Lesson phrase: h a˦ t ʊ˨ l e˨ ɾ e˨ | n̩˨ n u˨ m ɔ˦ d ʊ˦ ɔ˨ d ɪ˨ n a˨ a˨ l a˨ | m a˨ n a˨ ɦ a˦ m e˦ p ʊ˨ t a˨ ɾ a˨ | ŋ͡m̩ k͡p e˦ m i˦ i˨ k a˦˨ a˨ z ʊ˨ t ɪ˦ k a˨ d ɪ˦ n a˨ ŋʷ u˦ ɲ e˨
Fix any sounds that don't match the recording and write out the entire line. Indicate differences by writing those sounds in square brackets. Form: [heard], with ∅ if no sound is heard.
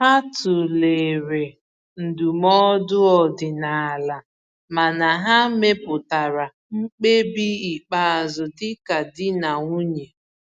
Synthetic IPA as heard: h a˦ t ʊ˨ l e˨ ɾ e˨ | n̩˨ [d] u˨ m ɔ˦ d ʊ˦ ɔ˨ d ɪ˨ n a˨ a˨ l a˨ | m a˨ n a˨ ɦ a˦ m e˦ p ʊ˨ t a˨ ɾ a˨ | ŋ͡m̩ k͡p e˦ [b] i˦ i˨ [k͡p] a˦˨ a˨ z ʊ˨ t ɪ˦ k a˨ d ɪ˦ n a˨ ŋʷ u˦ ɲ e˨